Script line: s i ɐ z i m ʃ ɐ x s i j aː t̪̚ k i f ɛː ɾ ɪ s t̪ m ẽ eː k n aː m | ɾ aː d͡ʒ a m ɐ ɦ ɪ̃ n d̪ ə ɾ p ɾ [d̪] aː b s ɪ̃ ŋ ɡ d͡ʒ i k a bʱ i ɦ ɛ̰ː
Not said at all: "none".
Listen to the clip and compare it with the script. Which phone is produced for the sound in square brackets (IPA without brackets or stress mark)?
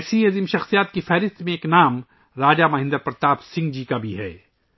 t̪